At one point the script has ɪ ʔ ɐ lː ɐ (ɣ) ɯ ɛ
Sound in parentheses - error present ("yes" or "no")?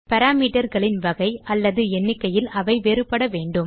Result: yes